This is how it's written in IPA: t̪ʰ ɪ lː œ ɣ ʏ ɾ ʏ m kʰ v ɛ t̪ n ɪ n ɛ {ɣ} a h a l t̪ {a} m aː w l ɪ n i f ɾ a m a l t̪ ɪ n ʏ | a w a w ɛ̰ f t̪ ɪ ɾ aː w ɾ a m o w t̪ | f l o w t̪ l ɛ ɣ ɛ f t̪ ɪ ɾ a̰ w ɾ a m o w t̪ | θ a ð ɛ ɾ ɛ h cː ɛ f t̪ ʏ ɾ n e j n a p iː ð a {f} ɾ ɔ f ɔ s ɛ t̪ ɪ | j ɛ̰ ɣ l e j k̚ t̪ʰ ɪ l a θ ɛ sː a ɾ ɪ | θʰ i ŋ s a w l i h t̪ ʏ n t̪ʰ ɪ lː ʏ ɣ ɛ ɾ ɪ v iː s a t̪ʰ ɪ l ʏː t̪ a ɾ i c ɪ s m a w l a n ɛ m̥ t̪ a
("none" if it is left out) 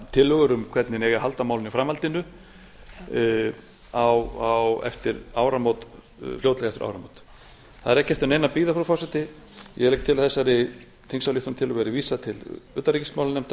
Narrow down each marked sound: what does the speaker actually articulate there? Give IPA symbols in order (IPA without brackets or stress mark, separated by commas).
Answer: ɣ, a, f